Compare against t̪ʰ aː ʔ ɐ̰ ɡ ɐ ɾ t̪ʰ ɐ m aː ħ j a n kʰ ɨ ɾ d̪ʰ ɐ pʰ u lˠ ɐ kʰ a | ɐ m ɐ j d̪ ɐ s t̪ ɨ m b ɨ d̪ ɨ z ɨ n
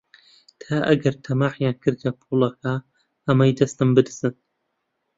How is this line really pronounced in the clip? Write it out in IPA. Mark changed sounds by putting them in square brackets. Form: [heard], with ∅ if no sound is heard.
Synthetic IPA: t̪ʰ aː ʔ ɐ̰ ɡ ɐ ɾ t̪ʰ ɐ m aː ħ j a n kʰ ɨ ɾ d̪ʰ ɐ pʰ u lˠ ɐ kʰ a | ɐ m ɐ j d̪ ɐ s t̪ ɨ m b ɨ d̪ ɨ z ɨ n